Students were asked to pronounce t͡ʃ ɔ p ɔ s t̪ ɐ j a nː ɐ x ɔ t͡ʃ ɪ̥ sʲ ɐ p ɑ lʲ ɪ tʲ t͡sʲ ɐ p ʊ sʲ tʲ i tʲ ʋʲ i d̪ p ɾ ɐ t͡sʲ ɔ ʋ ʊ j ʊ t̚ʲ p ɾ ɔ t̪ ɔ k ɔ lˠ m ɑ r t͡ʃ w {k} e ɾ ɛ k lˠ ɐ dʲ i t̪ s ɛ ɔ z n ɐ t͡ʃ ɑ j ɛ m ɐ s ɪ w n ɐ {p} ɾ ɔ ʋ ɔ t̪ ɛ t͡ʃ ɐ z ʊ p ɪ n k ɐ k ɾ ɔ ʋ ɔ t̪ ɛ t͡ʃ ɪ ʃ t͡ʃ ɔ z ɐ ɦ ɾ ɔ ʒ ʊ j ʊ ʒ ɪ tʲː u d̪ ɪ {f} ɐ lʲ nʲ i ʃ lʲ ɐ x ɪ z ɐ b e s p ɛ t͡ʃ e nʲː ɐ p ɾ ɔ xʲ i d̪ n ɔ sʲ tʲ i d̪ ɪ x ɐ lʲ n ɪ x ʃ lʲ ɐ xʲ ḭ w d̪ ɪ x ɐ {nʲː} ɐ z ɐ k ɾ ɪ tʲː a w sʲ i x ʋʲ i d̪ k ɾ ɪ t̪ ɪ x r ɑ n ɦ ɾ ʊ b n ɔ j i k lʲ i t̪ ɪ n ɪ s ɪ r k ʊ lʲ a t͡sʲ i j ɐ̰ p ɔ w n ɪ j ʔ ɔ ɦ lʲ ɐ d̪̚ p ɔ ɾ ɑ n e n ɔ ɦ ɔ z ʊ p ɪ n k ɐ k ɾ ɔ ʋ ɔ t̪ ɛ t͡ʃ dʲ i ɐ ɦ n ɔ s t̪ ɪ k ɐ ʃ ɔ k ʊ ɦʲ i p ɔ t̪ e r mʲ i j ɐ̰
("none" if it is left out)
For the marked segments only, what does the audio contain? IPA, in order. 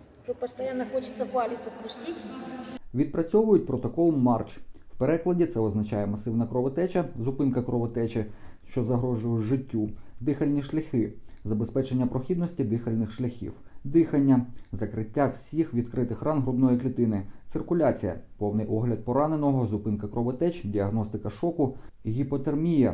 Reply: p, k, x, nʲː

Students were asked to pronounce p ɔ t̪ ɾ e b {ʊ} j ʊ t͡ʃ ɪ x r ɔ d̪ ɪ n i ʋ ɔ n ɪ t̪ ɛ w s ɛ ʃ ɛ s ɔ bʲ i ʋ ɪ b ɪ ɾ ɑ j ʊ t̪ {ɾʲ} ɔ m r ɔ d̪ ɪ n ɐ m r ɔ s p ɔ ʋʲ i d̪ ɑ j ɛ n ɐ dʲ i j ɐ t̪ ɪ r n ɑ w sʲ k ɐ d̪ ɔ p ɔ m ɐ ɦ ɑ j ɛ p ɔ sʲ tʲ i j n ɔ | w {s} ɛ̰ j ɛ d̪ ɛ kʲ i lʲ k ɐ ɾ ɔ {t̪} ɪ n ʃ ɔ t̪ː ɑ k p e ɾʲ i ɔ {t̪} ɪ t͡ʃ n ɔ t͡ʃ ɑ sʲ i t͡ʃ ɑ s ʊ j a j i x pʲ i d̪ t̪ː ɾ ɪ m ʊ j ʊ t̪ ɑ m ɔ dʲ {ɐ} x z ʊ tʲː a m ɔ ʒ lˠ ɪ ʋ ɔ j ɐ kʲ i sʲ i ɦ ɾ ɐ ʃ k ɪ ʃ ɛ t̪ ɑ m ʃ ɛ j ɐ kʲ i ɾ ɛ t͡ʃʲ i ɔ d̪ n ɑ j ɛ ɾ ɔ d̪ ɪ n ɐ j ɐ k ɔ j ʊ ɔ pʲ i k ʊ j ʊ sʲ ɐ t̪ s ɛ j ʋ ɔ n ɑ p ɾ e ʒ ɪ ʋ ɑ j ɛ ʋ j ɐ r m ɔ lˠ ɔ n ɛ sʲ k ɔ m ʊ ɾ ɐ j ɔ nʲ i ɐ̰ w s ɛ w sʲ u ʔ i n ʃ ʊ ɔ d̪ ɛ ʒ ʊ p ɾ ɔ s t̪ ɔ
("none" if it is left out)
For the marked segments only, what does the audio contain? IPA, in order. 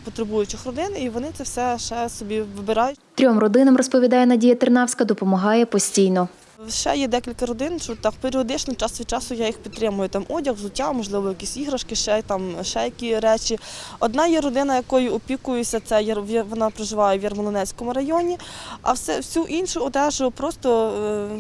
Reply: u, ɾʲ, ʃ, d̪, d̪, ɐ

